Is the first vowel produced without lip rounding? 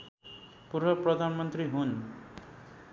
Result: no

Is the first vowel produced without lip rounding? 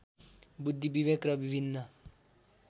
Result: no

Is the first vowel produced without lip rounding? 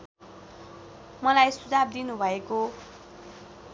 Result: yes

